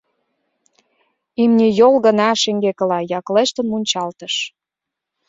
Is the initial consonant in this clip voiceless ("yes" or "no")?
no